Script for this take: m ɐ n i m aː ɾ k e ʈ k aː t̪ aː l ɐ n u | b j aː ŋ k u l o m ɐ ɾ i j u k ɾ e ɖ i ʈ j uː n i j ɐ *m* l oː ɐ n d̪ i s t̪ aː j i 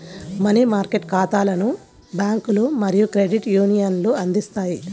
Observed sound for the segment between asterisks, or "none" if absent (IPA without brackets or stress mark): n